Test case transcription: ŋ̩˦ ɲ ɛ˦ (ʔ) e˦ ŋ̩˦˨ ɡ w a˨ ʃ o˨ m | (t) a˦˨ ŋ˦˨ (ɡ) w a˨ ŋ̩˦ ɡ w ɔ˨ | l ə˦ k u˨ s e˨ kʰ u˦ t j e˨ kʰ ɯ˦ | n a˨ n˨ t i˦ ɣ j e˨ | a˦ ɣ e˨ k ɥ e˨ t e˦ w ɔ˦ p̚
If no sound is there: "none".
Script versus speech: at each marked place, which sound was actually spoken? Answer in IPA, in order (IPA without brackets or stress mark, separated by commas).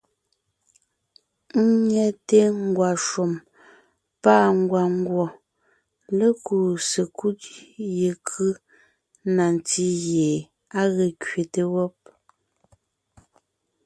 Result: t, p, ɡ